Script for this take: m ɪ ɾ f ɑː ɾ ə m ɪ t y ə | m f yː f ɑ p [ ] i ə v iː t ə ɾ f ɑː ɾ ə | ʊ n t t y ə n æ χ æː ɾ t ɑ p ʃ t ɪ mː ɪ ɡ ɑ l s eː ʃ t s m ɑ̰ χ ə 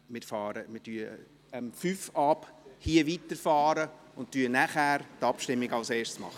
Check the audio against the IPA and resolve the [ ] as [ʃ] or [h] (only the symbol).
h